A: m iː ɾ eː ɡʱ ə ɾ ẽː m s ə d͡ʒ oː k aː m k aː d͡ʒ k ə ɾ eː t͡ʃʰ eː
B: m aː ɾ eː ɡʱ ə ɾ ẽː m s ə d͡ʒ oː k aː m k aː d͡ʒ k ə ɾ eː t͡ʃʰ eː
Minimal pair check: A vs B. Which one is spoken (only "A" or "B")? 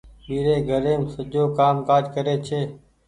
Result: A